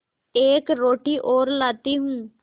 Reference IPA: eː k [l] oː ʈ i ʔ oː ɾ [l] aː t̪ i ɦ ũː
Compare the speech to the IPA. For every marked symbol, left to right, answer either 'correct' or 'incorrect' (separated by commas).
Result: incorrect, correct